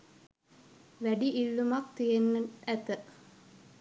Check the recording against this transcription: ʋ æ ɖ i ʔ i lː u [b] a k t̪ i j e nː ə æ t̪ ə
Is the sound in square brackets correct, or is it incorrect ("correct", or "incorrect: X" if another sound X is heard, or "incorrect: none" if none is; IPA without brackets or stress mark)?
incorrect: m